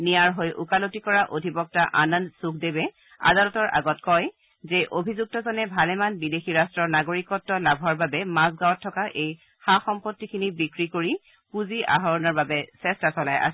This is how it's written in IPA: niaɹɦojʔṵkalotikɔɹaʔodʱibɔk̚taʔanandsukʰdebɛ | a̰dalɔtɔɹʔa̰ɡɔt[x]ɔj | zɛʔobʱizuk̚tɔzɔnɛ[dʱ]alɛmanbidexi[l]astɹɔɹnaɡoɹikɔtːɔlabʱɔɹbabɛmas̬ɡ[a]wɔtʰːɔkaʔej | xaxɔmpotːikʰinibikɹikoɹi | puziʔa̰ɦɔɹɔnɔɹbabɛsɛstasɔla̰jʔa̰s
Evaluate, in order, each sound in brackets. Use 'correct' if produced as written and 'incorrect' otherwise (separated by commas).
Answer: incorrect, incorrect, incorrect, correct